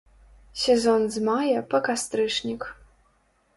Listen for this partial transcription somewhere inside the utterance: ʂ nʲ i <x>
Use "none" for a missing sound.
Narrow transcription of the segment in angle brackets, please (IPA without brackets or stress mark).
k